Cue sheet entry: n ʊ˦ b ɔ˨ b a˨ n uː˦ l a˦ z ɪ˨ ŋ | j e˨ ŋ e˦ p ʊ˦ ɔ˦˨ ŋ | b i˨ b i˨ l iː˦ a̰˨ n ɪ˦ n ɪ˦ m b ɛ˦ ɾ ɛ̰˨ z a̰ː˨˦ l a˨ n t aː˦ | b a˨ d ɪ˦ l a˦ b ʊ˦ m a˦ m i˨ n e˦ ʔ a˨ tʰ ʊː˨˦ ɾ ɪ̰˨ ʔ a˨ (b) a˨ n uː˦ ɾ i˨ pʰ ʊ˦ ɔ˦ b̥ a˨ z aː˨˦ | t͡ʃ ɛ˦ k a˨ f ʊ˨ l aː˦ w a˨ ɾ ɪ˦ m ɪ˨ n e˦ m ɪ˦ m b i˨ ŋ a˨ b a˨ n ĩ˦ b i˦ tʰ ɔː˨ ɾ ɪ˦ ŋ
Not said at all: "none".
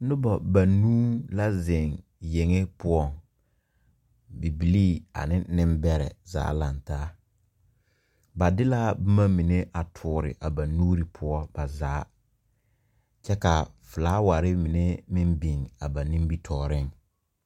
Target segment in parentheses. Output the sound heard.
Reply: b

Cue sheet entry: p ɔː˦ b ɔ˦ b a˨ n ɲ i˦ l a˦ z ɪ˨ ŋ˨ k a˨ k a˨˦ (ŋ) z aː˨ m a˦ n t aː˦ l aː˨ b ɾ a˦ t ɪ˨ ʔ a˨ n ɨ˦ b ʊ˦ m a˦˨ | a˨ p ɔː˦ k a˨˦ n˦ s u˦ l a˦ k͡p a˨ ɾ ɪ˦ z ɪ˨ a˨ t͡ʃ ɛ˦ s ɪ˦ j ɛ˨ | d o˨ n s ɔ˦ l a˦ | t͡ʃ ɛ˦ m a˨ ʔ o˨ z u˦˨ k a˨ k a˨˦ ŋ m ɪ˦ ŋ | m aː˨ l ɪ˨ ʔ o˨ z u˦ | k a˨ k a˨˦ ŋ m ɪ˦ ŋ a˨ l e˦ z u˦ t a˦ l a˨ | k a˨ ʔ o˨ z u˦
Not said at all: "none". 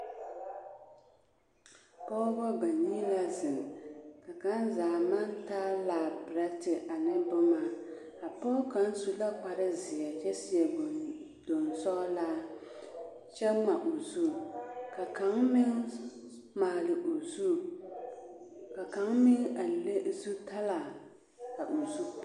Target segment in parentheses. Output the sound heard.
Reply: n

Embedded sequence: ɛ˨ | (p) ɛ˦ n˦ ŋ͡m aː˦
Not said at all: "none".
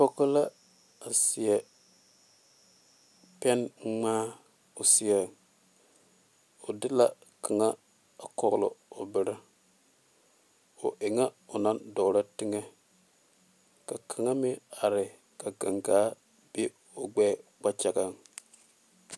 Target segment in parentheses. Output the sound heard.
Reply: p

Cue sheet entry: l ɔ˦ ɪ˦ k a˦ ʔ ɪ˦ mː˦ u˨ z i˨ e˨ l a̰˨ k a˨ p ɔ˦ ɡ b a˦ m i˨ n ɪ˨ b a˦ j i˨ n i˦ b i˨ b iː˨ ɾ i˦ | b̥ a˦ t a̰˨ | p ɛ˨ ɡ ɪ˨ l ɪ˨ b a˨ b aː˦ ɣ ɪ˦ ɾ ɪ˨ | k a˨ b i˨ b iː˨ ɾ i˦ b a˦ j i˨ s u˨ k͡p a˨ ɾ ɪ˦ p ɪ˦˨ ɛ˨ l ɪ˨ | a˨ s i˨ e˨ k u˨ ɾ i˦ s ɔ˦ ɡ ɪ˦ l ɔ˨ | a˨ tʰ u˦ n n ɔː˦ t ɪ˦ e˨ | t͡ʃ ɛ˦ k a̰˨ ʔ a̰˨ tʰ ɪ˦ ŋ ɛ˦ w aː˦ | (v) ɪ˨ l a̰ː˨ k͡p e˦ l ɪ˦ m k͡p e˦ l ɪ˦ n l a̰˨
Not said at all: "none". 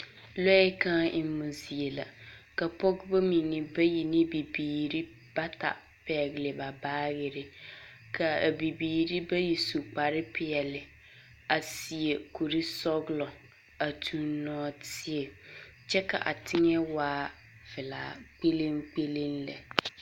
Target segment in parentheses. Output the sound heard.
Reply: v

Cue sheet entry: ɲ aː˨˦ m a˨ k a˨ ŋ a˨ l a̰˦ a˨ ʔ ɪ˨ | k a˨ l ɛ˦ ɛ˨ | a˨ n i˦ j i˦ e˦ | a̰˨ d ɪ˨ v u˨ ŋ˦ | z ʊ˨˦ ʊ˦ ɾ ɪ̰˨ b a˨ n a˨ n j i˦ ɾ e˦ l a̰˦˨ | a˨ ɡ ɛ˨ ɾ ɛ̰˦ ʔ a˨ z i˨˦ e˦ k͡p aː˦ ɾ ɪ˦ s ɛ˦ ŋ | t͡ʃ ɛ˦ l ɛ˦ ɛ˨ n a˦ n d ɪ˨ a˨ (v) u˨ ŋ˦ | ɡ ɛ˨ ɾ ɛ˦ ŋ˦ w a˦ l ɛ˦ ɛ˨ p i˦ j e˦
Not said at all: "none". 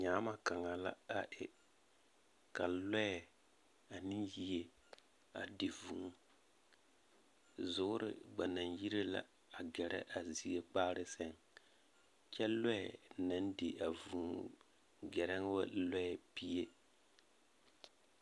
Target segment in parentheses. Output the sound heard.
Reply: v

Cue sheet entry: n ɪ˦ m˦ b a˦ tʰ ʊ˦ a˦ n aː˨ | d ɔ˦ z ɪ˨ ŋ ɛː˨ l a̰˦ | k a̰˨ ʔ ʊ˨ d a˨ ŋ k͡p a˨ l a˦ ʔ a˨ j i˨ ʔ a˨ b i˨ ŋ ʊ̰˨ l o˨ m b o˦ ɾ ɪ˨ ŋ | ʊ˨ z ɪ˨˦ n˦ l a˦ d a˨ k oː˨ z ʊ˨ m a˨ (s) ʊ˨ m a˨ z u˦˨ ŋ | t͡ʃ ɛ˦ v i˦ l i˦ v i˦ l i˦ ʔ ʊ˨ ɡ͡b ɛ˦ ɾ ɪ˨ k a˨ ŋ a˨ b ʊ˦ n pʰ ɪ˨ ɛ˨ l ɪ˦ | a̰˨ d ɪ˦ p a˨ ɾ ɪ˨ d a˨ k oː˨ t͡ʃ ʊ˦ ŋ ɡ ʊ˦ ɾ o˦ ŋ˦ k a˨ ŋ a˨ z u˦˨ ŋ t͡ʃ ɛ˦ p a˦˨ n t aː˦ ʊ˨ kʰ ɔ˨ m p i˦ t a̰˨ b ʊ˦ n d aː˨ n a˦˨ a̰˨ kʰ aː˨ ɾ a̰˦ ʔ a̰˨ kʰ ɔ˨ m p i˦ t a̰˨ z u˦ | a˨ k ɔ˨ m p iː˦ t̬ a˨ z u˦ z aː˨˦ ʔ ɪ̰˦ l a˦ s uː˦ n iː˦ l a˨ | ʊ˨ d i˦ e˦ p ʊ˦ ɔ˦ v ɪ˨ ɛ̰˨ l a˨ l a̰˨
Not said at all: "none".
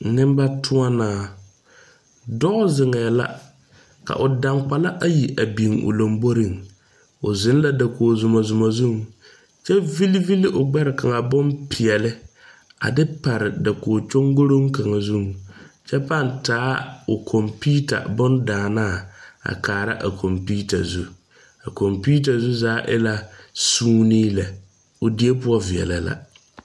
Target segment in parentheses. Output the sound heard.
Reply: z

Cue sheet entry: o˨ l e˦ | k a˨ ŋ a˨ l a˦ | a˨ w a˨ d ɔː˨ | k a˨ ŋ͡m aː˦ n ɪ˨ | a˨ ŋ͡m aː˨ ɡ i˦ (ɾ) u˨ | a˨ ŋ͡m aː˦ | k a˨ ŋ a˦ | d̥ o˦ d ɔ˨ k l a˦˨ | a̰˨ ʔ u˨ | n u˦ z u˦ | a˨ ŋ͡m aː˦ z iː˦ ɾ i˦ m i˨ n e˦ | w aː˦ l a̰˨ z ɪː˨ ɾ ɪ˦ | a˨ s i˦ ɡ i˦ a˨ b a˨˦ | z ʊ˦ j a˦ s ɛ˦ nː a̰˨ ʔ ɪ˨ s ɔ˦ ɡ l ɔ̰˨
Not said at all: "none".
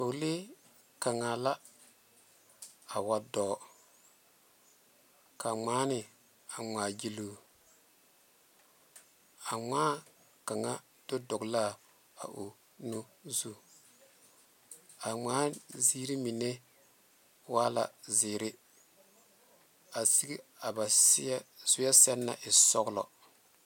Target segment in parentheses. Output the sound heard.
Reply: l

